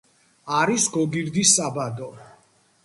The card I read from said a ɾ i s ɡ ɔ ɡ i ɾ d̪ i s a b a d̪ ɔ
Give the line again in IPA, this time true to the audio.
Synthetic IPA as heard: a ɾ i s ɡ ɔ ɡ i ɾ d̪ i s a b a d̪ ɔ